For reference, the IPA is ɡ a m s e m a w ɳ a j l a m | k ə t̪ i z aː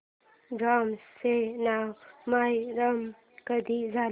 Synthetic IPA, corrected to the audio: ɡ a m s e n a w m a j ɾ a m | k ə d̪ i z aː